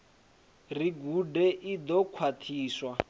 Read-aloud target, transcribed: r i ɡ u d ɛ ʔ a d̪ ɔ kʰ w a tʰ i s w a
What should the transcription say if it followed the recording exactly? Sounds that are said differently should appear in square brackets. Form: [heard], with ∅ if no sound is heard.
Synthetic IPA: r i ɡ u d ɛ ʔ [i] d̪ ɔ kʰ w a tʰ [iː] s w a